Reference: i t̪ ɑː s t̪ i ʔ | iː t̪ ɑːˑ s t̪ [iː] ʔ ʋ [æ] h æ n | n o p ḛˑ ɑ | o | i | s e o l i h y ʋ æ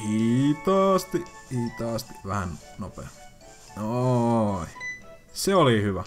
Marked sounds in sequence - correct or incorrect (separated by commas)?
incorrect, correct